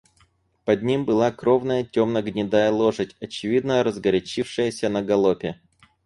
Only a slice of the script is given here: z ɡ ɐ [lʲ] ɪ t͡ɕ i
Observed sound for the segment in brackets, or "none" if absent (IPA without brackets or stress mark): ɾʲ